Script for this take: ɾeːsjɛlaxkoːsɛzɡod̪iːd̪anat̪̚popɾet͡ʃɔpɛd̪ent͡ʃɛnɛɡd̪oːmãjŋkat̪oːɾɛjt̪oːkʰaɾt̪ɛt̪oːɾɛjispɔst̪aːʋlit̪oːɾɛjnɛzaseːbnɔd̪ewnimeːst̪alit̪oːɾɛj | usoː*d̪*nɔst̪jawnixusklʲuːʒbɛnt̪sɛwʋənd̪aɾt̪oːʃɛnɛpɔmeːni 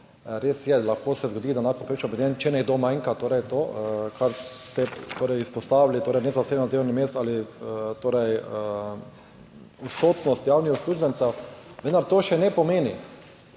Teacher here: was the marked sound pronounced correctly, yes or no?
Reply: no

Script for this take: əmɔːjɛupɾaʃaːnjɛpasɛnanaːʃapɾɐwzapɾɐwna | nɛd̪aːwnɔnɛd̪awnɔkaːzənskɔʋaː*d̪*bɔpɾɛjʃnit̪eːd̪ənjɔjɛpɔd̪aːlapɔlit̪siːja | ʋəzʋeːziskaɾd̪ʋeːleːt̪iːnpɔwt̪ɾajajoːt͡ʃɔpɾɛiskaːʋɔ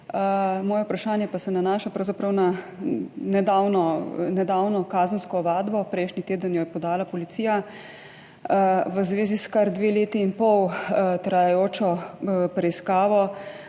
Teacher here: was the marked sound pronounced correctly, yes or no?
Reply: yes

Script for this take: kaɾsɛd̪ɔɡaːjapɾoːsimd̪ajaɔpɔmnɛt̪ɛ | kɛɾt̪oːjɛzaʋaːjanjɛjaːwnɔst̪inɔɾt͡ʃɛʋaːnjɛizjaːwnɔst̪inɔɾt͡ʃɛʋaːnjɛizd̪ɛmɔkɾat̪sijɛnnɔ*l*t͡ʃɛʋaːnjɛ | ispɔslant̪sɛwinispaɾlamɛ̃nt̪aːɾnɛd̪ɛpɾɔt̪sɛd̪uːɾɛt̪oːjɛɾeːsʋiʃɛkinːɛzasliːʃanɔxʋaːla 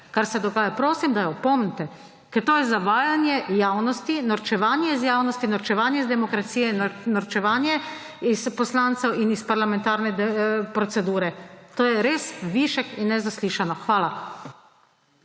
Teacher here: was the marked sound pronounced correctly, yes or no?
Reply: no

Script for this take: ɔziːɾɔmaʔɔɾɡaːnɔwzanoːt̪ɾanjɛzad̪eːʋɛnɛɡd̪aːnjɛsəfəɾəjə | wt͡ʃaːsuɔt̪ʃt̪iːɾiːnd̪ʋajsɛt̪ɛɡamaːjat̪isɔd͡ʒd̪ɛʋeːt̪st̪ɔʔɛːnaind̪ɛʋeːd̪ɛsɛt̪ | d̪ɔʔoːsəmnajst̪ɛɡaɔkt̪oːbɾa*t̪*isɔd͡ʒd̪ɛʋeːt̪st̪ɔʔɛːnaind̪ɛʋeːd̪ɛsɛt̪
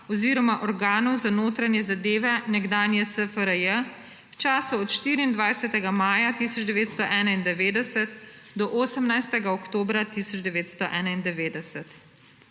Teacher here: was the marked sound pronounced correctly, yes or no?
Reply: yes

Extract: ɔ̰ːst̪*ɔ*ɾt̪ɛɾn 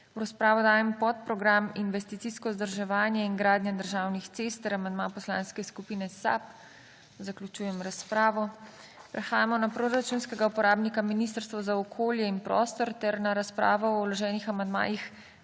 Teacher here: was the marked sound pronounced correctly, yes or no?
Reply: yes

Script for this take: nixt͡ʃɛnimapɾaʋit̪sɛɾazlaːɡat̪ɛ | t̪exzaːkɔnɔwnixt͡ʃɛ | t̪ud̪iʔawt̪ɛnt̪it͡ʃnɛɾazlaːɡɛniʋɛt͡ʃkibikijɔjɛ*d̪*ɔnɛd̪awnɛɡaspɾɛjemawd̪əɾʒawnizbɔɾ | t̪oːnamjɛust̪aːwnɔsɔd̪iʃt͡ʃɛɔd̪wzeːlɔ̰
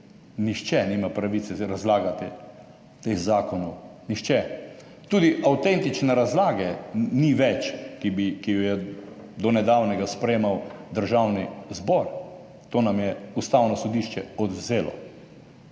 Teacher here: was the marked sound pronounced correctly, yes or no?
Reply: yes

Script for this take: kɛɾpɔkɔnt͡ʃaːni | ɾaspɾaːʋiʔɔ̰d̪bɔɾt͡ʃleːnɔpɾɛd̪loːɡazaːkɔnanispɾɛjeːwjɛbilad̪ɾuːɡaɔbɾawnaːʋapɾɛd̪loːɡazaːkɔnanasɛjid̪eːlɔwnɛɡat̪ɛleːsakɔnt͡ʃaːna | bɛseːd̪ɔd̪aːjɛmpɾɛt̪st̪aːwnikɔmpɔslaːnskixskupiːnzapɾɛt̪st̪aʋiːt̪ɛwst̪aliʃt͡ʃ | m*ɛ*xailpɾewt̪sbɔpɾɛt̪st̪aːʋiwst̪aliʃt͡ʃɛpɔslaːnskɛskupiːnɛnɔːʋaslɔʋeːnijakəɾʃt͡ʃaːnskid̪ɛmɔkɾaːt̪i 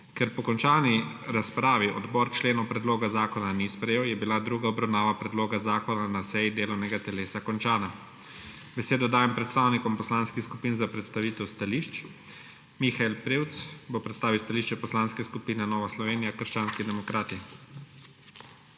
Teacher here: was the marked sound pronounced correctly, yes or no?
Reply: no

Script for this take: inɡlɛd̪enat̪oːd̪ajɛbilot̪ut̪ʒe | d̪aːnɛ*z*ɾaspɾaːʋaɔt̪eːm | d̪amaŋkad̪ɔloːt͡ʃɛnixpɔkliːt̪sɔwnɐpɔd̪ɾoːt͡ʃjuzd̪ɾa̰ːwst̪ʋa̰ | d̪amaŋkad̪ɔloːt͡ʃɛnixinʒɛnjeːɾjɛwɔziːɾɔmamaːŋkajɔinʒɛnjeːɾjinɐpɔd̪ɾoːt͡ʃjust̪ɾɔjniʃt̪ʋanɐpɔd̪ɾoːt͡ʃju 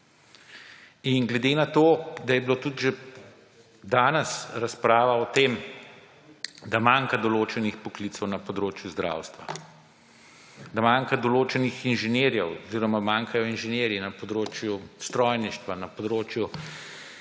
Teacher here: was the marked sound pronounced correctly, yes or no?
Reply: no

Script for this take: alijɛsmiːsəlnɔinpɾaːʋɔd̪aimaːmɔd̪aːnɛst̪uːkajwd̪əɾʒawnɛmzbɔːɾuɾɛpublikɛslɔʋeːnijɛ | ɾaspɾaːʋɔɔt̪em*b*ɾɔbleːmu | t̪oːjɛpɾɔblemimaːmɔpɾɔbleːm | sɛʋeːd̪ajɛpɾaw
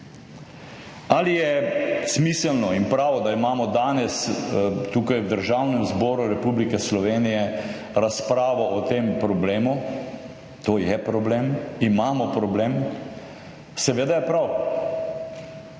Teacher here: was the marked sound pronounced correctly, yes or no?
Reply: no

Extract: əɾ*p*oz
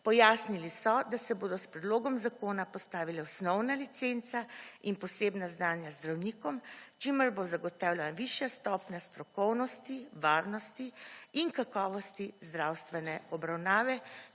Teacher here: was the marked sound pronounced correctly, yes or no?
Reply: no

